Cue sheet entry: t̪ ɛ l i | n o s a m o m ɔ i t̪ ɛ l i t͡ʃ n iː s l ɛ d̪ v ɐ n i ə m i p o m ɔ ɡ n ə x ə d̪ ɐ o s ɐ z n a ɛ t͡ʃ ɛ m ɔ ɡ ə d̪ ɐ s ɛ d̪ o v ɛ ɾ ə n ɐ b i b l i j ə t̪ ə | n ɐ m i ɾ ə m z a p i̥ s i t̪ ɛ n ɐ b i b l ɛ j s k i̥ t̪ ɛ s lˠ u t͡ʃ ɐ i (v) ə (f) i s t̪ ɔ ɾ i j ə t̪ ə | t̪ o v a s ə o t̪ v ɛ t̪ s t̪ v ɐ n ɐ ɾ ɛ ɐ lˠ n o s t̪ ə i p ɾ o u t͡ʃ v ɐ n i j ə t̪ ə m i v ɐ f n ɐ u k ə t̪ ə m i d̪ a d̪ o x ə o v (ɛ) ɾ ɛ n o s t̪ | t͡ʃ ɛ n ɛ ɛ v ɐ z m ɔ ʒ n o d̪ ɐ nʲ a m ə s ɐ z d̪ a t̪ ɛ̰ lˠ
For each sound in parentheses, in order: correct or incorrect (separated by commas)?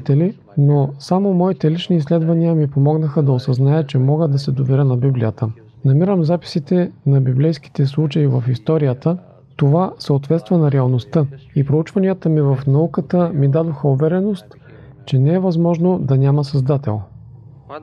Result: correct, correct, correct